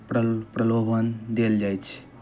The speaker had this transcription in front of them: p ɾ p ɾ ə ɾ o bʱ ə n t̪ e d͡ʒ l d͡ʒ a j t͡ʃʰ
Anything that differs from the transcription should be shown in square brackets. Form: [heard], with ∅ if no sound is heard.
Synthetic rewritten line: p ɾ p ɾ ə [l] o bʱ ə n [d̪] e [∅] l d͡ʒ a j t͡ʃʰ